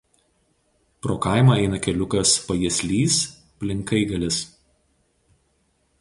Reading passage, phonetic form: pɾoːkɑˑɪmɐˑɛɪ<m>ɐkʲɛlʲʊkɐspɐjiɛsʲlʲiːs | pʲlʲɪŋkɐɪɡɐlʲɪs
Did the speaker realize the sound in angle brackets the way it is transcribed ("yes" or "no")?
no